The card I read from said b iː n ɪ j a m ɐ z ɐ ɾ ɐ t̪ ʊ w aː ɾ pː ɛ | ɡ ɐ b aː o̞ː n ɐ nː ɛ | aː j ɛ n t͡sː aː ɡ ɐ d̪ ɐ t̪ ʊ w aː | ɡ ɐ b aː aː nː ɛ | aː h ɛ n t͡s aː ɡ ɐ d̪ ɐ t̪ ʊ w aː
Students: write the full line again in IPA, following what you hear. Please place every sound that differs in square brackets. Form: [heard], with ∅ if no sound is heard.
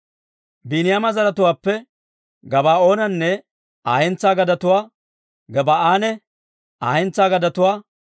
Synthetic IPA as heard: b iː n ɪ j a m ɐ z ɐ ɾ ɐ t̪ ʊ w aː [∅] pː ɛ | ɡ ɐ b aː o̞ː n ɐ nː ɛ | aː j ɛ n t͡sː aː ɡ ɐ d̪ ɐ t̪ ʊ w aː | ɡ ɐ b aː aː [n] ɛ | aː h ɛ n t͡s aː ɡ ɐ d̪ ɐ t̪ ʊ w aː

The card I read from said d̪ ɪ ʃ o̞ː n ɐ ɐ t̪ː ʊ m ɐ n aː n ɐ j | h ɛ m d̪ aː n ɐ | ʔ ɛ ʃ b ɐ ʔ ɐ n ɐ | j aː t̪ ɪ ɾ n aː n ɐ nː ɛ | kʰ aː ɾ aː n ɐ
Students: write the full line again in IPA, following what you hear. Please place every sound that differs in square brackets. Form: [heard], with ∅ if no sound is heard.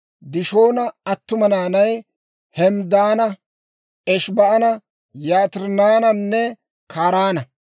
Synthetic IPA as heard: d̪ ɪ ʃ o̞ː n ɐ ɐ t̪ː ʊ m ɐ n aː n ɐ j | h ɛ m d̪ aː n ɐ | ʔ ɛ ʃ b ɐ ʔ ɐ n ɐ | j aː t̪ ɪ ɾ n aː n ɐ nː ɛ | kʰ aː ɾ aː n ɐ

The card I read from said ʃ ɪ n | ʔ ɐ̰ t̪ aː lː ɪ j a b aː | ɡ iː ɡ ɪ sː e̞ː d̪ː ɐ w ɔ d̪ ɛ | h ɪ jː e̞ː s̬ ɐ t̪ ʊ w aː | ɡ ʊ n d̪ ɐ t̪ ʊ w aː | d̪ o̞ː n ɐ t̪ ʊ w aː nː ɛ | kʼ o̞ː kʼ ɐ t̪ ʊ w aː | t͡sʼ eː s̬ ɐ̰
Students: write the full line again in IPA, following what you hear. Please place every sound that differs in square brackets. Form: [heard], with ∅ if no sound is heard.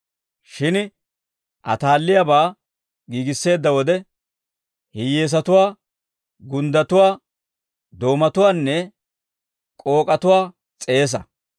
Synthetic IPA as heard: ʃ ɪ n | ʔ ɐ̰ t̪ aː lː ɪ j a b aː | ɡ iː ɡ ɪ sː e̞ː d̪ː ɐ w ɔ d̪ ɛ | h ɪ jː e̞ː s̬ ɐ t̪ ʊ w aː | ɡ ʊ n d̪ ɐ t̪ ʊ w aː | d̪ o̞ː [m] ɐ t̪ ʊ w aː nː ɛ | kʼ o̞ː kʼ ɐ t̪ ʊ w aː | t͡sʼ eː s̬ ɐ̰

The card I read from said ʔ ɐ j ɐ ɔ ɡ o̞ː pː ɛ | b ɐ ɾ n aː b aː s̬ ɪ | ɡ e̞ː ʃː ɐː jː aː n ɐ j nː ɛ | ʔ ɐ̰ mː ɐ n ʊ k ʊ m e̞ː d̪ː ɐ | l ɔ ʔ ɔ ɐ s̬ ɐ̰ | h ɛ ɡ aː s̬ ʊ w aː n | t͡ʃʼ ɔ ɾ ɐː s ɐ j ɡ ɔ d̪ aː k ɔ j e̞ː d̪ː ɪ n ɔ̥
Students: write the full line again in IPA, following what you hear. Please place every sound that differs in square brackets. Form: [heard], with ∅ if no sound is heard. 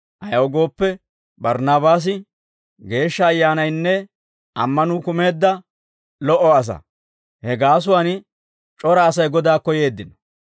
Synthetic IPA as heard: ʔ ɐ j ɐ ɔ ɡ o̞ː pː ɛ | b ɐ ɾ n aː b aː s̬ ɪ | ɡ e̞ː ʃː ɐː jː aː n ɐ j nː ɛ | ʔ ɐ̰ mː ɐ n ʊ k ʊ m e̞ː d̪ː ɐ | l ɔ ʔ ɔ ɐ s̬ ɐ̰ | h ɛ ɡ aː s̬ ʊ w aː n | t͡ʃʼ ɔ ɾ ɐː s ɐ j ɡ ɔ d̪ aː k ɔ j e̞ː d̪ː ɪ n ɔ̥

